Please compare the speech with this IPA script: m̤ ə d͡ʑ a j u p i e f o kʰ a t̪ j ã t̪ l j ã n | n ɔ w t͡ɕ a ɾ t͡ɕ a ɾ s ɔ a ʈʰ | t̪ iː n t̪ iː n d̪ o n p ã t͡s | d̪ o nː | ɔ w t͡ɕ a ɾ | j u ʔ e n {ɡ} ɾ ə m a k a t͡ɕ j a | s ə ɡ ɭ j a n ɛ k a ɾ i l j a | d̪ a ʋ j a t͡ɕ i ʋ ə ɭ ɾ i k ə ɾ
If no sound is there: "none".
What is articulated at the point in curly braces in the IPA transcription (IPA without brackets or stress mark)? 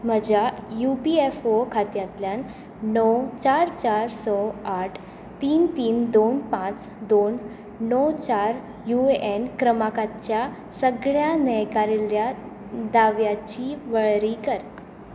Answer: k